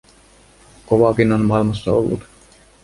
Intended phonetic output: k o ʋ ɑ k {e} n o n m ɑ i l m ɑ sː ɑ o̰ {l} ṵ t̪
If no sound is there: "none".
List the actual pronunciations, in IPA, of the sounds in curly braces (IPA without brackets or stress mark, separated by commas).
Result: i, lː